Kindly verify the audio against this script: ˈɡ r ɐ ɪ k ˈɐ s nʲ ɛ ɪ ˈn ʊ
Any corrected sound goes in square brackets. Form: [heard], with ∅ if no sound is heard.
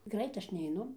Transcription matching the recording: ˈɡ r ɐ ɪ [t] ˈɐ [ʃ] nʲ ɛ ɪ ˈn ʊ